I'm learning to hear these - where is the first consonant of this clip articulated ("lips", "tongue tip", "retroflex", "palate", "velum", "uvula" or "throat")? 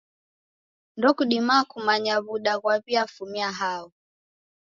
tongue tip